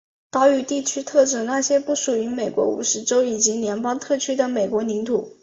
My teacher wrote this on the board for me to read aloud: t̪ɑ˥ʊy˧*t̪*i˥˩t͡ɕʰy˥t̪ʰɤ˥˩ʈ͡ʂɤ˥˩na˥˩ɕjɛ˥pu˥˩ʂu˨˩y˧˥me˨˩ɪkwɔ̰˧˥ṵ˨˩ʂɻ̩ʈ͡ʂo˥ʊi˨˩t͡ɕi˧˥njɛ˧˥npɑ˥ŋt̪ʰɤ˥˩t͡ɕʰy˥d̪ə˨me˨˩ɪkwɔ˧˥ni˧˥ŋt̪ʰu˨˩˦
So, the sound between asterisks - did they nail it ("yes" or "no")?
yes